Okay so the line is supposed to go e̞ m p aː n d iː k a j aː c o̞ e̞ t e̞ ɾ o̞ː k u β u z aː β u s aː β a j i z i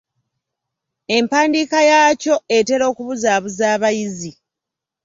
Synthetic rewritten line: e̞ m p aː n d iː k a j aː c o̞ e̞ t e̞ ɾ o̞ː k u β u z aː β u z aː β a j i z i